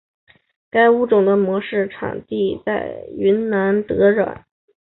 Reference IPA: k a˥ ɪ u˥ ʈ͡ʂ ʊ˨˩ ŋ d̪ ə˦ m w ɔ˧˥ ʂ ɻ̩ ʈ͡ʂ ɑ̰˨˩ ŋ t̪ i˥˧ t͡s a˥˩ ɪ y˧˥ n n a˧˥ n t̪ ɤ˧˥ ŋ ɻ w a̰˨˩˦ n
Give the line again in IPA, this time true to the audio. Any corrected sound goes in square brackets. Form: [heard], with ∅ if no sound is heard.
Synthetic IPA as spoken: k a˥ ɪ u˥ ʈ͡ʂ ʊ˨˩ ŋ d̪ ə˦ m w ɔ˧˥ ʂ ɻ̩ [ʈ͡ʂʰ] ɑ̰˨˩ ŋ t̪ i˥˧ t͡s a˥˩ ɪ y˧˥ n n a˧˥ n t̪ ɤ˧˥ [∅] ɻ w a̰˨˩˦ n